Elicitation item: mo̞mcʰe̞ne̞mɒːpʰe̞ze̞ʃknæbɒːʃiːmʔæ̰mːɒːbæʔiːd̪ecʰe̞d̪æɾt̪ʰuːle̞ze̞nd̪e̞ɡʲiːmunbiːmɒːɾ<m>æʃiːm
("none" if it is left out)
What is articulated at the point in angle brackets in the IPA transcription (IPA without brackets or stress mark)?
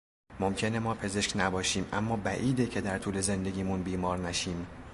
n